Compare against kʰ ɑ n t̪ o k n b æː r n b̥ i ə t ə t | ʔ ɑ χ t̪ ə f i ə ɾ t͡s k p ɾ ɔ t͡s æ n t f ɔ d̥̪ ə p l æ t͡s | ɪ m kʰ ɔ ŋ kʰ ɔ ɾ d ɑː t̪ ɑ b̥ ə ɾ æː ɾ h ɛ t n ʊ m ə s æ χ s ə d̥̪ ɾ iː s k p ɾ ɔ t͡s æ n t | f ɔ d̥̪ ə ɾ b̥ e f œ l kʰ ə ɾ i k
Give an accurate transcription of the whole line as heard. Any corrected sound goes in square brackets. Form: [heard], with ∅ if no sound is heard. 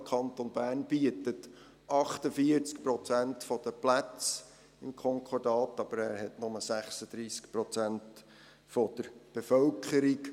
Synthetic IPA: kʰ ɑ n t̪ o [∅] n b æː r n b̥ i ə t ə t | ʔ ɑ χ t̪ ə f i ə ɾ t͡s k p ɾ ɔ t͡s æ n t f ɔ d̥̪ ə p l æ t͡s | ɪ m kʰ ɔ ŋ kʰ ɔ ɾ d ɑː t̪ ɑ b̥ ə ɾ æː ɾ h ɛ t n ʊ m ə s æ χ s ə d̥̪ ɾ iː s k p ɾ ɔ t͡s æ n t | f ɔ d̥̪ ə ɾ b̥ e f œ l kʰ ə ɾ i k